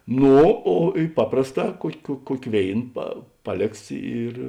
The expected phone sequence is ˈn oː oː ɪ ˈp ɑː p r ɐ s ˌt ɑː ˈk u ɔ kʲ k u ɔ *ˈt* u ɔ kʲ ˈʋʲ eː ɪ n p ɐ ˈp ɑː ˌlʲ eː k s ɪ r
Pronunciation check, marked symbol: incorrect: k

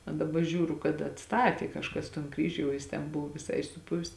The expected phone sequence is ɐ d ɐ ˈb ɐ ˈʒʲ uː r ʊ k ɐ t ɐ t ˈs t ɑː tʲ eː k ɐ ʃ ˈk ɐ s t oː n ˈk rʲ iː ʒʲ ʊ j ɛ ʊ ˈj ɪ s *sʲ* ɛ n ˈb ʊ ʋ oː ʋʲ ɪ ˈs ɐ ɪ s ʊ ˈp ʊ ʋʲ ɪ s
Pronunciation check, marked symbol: incorrect: tʲ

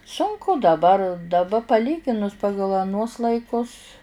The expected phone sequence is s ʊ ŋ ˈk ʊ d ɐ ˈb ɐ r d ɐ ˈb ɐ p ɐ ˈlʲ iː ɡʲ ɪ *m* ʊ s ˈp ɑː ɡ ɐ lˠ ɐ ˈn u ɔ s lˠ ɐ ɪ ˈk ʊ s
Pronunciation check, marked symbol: incorrect: n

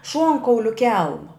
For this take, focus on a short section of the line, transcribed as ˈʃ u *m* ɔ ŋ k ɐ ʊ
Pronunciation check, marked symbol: incorrect: none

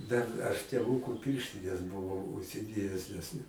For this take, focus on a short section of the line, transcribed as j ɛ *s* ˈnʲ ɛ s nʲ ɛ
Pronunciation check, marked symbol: correct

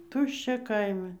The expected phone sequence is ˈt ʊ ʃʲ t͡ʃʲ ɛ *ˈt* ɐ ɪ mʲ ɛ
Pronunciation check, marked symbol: incorrect: k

